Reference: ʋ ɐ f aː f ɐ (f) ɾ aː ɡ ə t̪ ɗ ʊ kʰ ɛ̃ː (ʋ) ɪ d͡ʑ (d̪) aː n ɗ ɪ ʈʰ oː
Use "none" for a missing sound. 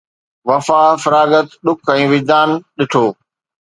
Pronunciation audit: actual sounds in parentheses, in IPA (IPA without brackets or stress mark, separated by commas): none, ʋ, d̪